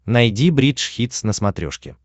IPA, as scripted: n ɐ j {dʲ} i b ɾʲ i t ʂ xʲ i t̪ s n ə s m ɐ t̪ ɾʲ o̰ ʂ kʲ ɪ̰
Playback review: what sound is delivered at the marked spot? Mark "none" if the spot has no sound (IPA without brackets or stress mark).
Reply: dʲ